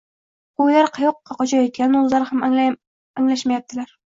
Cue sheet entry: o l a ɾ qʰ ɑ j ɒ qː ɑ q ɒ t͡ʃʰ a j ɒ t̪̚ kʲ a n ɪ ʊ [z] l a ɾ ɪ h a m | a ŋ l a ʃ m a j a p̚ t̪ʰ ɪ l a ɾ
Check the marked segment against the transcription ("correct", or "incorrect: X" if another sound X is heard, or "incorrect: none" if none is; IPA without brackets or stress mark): correct